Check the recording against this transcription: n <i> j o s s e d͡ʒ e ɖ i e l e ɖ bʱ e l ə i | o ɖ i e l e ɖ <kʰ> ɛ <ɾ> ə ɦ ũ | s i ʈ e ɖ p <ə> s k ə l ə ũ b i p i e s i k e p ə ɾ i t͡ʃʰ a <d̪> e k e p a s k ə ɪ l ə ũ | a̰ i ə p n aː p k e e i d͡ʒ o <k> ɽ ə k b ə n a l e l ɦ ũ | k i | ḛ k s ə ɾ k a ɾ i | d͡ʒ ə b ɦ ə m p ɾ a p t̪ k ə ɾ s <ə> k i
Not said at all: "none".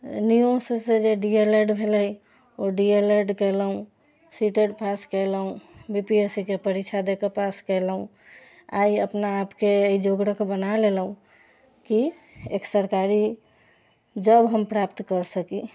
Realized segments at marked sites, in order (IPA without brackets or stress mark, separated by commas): i, k, l, a, d̪, ɡ, ə